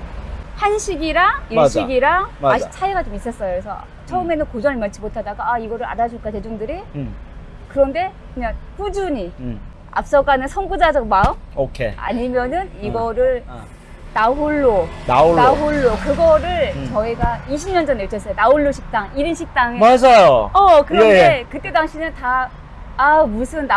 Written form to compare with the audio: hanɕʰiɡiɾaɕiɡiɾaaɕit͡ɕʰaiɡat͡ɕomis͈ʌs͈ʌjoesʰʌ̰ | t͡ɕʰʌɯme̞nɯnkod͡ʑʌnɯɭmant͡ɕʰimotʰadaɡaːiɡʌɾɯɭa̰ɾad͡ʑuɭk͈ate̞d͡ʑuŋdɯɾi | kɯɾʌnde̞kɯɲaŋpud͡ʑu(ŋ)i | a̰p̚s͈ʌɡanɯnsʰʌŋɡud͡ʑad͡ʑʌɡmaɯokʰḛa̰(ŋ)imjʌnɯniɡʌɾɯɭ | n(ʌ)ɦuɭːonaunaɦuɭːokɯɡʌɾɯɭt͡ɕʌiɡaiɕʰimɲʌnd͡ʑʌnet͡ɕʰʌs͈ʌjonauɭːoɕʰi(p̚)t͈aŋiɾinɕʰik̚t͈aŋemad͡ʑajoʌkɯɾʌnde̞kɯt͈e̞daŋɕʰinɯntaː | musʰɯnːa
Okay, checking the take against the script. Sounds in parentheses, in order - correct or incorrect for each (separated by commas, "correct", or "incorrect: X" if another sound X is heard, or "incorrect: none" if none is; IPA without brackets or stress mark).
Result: incorrect: ɲ, incorrect: ɲ, incorrect: a, incorrect: k̚